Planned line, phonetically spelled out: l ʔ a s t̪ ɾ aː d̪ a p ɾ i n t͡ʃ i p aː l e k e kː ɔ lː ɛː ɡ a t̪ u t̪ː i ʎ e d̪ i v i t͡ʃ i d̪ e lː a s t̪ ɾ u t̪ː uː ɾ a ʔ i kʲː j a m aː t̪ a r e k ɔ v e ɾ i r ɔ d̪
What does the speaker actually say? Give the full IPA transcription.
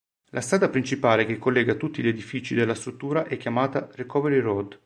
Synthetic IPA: l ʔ a s t̪ ɾ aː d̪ a p ɾ i n t͡ʃ i p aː l e k e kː o lː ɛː ɡ a t̪ u t̪ː i ʎ e d̪ i f i t͡ʃ i d̪ e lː a s t̪ ɾ u t̪ː uː ɾ a ʔ ɛ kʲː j a m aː t̪ a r e k ɔ v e ɾ i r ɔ d̪